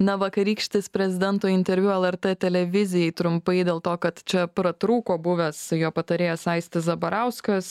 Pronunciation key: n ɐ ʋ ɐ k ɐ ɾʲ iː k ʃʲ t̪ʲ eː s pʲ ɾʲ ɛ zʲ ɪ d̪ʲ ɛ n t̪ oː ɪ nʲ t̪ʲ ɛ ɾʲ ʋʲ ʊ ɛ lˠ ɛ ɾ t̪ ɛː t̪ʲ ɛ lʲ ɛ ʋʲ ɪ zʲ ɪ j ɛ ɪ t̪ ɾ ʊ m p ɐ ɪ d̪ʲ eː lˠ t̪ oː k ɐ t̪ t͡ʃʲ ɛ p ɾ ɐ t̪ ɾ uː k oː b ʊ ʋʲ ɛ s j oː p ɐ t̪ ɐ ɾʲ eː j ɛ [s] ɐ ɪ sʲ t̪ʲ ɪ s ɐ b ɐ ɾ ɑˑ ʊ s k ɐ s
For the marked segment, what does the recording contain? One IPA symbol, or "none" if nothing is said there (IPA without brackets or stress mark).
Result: s